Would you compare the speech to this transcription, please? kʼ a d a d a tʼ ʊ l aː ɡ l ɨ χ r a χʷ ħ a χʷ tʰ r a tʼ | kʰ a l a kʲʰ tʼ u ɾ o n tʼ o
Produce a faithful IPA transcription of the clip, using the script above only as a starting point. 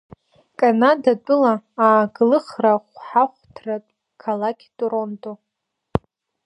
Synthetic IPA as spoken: kʼ a n a d a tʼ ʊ l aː ɡ l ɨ χ r a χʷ ħ a χʷ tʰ r a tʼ | kʰ a l a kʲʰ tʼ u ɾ o n tʼ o